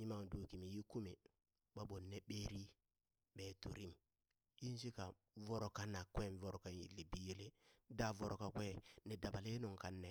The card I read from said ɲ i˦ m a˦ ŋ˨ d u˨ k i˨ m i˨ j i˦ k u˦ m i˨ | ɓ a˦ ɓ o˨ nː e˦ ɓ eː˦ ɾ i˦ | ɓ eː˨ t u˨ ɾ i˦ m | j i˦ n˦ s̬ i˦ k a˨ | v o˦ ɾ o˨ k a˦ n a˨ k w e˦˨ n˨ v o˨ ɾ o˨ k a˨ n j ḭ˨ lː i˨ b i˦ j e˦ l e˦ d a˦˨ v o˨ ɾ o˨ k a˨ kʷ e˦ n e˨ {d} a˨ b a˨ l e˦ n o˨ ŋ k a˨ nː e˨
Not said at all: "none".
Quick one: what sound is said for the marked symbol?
d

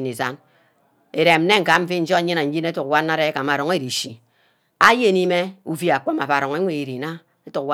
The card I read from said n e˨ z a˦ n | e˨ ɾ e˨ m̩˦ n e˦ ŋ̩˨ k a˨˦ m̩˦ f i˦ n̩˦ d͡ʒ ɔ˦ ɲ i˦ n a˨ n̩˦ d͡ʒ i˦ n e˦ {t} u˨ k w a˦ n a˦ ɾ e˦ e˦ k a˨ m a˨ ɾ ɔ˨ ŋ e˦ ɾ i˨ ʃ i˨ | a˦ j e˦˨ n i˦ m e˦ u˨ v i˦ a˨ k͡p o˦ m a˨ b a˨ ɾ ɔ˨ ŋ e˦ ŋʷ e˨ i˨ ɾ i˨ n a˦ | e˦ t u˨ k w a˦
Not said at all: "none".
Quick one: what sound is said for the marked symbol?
t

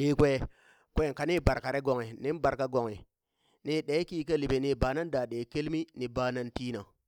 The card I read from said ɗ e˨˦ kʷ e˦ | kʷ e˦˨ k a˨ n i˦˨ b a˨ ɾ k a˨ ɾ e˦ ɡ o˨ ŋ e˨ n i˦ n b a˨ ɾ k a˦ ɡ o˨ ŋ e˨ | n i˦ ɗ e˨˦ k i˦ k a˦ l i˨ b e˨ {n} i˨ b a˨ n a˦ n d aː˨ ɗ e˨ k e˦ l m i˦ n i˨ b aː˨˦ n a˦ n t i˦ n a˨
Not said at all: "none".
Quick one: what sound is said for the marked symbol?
n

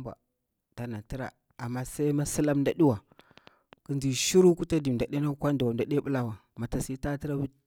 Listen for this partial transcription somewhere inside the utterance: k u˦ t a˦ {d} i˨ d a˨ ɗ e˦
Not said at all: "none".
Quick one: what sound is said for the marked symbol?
d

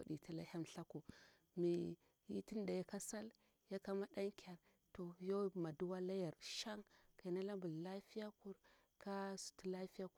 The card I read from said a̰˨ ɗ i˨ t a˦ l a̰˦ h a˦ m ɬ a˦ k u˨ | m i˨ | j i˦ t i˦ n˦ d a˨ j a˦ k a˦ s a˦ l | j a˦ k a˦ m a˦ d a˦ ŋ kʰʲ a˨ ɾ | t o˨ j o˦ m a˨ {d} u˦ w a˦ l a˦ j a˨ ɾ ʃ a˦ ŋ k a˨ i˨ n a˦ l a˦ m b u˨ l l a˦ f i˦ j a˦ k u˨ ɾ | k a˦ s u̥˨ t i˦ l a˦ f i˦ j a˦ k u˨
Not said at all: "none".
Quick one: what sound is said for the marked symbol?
d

